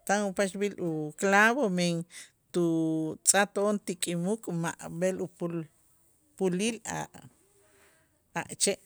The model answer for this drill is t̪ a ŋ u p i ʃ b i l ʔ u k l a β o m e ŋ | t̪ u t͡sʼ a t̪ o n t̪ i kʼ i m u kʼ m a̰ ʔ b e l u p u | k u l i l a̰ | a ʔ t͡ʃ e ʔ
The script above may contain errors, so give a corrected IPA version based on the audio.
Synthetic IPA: t̪ a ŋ u p a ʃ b i l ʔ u k l a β o m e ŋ | t̪ u t͡sʼ a t̪ o n t̪ i kʼ i m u kʼ m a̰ ʔ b e l u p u | p u l i l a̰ | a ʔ t͡ʃ e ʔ